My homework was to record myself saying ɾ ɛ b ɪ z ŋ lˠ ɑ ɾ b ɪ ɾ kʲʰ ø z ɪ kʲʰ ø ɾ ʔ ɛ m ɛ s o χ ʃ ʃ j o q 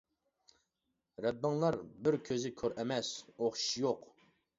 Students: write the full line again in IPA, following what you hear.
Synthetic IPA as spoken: ɾ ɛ bː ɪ ŋ lˠ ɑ ɾ b ɪ ɾ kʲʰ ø z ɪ kʲʰ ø ɾ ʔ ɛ m ɛ s o χ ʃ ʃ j o q